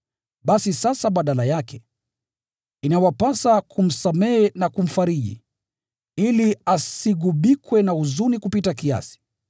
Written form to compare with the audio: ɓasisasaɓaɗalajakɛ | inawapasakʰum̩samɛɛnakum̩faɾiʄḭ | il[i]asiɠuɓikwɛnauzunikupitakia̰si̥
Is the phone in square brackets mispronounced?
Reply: no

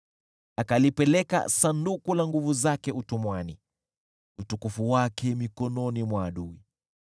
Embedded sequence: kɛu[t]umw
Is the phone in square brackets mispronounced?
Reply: no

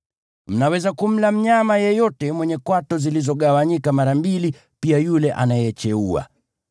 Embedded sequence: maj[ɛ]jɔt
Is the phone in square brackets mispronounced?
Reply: no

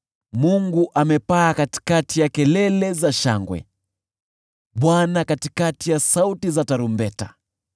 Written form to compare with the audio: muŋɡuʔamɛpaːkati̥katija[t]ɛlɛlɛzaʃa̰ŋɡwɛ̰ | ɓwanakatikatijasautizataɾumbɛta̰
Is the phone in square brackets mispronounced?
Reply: yes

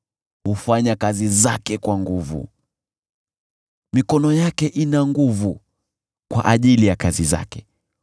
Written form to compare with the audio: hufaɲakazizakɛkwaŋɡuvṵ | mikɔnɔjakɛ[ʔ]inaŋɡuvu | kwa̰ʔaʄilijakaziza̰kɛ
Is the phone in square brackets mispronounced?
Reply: no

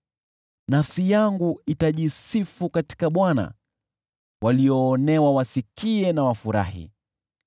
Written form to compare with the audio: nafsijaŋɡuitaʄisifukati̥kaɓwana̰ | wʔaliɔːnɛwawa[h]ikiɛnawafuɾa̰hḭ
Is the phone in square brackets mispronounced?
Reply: yes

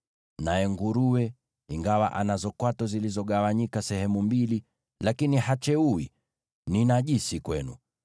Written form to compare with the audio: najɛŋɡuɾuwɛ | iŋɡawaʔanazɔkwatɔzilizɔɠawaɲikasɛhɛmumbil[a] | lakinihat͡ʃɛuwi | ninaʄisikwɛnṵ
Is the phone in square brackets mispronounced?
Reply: yes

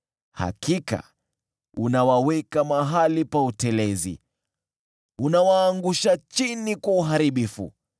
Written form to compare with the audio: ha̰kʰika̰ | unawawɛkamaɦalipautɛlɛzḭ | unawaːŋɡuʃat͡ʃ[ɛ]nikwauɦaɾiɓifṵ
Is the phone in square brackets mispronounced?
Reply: yes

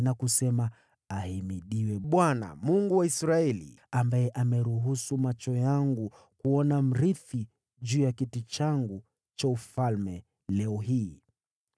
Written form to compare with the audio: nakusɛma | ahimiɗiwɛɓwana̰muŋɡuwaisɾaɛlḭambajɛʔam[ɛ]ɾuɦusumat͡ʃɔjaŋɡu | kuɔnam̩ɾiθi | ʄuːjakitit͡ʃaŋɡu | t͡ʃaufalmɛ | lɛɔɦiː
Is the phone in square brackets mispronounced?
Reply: no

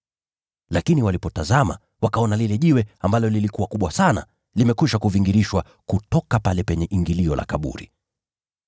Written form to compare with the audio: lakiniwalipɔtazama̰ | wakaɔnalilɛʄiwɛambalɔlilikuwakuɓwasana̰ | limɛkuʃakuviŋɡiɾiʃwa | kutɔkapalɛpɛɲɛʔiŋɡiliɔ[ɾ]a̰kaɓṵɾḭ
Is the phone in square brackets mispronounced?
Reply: yes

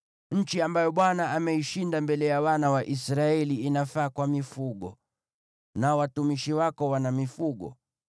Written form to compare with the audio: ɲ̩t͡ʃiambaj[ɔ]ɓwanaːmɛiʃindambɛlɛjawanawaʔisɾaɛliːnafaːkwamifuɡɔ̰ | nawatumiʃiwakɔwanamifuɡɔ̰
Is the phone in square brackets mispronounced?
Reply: no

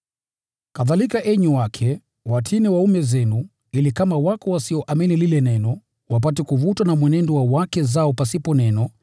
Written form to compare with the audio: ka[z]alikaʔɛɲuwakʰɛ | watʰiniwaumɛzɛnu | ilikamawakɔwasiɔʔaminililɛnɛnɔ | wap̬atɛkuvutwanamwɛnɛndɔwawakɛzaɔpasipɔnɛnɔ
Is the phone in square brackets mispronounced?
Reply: yes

